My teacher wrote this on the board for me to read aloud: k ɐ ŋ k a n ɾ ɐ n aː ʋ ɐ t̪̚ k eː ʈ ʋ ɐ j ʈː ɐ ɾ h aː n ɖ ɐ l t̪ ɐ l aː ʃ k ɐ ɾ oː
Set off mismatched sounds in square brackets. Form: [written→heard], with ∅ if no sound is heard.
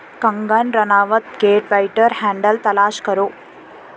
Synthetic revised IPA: k ɐ ŋ [k→ɡ] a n ɾ ɐ n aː ʋ ɐ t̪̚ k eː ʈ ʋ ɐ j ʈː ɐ ɾ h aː [n→ɳ] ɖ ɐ l t̪ ɐ l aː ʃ k ɐ ɾ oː